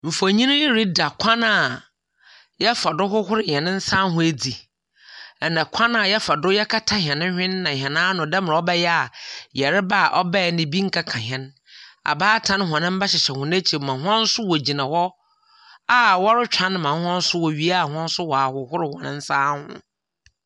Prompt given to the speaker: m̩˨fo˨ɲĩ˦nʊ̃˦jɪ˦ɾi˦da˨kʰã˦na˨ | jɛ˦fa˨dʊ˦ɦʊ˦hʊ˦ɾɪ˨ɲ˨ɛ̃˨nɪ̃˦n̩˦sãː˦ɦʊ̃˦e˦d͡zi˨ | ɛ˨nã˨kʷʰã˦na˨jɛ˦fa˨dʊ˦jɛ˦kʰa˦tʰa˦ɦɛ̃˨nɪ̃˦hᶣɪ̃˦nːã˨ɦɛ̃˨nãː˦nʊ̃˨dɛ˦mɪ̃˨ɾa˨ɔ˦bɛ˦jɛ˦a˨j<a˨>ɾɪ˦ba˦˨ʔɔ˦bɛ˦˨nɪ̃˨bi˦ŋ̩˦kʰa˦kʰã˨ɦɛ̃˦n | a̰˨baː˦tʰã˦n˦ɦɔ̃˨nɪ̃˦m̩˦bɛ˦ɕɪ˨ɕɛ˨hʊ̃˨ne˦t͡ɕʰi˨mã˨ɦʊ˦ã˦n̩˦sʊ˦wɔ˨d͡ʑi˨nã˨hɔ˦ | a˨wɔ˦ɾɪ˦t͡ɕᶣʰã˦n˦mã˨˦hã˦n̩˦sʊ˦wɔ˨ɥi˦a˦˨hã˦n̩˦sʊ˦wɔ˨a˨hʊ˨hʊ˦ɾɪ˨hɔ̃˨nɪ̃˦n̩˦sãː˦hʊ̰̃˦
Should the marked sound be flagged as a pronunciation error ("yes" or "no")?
yes